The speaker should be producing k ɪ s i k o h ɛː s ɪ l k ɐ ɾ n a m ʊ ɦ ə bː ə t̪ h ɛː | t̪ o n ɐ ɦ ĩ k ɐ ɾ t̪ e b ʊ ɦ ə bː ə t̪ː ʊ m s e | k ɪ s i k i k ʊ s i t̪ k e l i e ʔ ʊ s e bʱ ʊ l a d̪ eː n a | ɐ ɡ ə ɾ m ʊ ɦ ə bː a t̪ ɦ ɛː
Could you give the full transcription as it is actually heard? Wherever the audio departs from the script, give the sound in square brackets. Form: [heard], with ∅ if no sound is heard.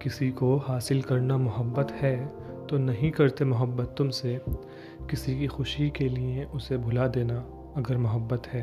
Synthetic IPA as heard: k ɪ s i k o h [aː] s ɪ l k ɐ ɾ n a m ʊ ɦ ə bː ə t̪ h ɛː | t̪ o n ɐ ɦ ĩ k ɐ ɾ t̪ e [m] ʊ ɦ ə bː ə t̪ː ʊ m s e | k ɪ s i k i [x] ʊ [ʃ] i [∅] k e l i e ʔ ʊ s e bʱ ʊ l a d̪ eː n a | ɐ ɡ ə ɾ m ʊ ɦ ə bː [ə] t̪ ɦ ɛː